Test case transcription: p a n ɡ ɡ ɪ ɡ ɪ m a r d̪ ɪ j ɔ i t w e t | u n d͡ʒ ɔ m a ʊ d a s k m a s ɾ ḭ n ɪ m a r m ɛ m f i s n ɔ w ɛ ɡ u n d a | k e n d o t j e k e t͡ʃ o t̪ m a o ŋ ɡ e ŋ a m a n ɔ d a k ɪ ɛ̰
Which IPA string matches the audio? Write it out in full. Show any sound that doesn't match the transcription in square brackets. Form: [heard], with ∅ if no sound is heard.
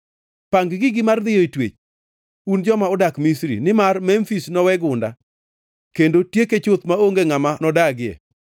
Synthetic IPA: p a [ŋ] ɡ ɡ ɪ ɡ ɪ m a r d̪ ɪ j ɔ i t w e [t͡ʃ] | u n d͡ʒ ɔ m a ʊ d a [∅] k m [i] s ɾ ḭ n ɪ m a r m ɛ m f i s n ɔ w ɛ ɡ [ʊ] n d a | k e n d o t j e k e t͡ʃ o t̪ m a o ŋ ɡ e ŋ a m a n ɔ d a [ɡ] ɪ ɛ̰